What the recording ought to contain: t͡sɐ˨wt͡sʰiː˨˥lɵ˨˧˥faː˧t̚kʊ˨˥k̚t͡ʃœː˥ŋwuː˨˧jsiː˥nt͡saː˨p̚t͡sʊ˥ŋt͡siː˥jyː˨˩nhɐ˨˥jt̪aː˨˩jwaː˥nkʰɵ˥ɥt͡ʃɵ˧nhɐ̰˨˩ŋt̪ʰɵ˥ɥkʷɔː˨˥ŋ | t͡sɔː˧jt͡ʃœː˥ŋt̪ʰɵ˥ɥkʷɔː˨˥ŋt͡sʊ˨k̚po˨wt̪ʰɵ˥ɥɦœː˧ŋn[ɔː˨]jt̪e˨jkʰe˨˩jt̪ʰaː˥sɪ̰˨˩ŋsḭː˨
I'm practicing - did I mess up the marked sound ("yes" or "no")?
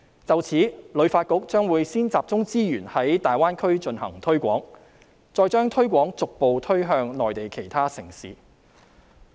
no